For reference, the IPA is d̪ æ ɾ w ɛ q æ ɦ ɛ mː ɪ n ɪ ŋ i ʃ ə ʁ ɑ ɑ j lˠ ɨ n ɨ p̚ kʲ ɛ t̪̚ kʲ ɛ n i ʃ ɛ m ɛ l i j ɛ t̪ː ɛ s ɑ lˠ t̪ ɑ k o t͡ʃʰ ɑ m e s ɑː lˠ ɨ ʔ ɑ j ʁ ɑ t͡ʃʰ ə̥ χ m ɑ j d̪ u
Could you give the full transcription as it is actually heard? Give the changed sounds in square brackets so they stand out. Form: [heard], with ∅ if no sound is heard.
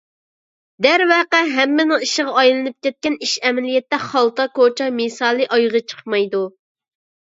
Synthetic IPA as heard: d̪ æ ɾ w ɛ q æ ɦ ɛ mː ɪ n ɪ ŋ i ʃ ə ʁ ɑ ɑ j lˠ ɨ n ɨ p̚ kʲ ɛ t̪̚ kʲ ɛ n i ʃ ɛ m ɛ l i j ɛ t̪ː ɛ [χ] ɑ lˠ t̪ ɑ k o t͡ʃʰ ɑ m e s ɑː lˠ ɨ ʔ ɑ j ʁ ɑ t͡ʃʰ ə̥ χ m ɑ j d̪ u